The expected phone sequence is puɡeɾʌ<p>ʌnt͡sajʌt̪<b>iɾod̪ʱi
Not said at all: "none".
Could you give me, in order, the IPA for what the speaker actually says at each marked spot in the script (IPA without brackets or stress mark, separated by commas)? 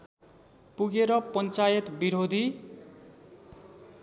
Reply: p, b